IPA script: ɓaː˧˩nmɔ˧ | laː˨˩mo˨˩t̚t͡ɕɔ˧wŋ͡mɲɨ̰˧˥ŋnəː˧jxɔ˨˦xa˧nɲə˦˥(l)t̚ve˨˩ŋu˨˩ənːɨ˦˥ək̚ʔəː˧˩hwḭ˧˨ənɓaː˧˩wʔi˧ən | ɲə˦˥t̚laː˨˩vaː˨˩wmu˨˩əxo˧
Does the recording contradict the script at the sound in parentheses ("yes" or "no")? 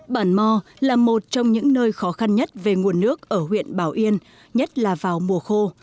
yes